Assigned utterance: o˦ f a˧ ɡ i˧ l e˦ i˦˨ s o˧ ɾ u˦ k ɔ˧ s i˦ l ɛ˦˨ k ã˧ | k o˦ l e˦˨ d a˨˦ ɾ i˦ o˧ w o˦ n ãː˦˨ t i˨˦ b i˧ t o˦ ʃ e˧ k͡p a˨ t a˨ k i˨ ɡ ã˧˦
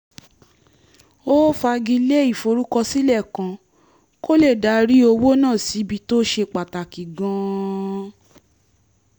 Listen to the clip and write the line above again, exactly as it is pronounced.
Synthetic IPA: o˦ f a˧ ɡ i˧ l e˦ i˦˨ f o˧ ɾ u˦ k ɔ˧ s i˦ l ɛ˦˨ k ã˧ | k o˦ l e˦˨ d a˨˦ ɾ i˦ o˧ w o˦ n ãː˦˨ s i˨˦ b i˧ t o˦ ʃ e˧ k͡p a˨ t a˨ k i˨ ɡ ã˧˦